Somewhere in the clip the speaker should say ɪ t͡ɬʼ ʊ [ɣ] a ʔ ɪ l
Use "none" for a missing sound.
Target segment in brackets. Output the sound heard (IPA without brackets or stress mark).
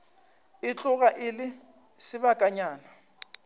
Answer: ɣ